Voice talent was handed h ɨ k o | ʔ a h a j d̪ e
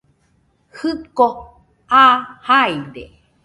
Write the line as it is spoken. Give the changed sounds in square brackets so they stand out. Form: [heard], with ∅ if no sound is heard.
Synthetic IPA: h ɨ k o | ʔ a h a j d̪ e